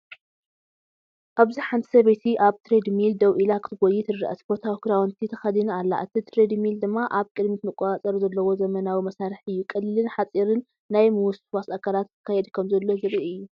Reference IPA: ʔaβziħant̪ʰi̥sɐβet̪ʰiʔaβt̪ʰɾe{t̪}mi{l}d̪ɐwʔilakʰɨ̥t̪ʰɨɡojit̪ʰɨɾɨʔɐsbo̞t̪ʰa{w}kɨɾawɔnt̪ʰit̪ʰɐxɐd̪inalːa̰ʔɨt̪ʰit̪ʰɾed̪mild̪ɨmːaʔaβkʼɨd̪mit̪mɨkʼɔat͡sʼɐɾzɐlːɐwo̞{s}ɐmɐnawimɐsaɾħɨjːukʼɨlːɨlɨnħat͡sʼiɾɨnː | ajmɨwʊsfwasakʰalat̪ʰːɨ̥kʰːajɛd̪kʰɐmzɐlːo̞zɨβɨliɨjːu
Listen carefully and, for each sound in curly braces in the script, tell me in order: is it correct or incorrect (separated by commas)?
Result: incorrect, correct, correct, incorrect